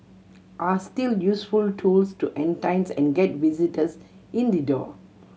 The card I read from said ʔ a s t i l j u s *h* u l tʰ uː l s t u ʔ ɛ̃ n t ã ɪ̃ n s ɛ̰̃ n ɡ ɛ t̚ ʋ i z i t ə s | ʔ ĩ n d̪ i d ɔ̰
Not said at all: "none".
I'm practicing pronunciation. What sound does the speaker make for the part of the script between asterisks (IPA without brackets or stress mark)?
f